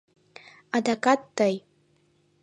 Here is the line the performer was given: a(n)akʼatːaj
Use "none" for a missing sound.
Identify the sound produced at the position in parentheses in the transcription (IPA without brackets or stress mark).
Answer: d